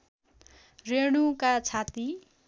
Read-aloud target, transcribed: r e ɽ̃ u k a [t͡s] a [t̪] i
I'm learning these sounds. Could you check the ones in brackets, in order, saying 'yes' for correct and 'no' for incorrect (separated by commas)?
no, yes